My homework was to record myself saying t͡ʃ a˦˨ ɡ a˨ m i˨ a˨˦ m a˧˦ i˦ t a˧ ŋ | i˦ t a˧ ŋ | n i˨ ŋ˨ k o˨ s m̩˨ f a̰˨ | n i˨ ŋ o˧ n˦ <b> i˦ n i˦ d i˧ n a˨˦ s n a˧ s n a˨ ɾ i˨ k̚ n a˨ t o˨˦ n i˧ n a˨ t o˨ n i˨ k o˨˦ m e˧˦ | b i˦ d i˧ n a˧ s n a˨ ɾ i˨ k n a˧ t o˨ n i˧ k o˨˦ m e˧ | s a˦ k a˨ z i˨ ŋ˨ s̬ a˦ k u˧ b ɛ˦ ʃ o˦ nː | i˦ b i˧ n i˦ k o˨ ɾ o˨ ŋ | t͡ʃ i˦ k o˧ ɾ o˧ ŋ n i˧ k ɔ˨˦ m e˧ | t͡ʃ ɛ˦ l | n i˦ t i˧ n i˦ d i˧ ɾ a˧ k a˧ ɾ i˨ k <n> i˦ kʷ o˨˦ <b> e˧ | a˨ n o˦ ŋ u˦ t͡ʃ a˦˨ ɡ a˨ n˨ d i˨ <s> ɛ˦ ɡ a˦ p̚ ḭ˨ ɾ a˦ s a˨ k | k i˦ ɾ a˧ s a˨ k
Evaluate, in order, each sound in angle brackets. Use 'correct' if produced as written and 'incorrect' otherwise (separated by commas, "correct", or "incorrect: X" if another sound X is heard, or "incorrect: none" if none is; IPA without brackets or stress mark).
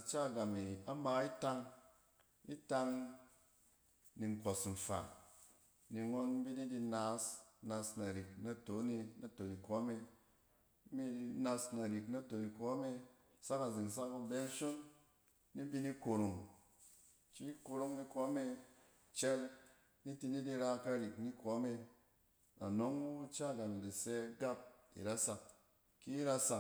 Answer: correct, correct, incorrect: m, correct